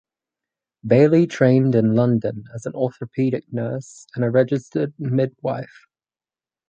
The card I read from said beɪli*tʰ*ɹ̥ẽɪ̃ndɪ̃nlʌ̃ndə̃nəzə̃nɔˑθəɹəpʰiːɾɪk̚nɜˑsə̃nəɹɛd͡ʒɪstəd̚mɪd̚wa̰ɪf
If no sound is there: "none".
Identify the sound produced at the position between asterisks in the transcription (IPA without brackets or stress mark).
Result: tʰ